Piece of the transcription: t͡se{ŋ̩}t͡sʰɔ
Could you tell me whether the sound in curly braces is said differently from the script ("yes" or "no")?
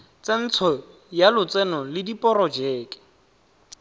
yes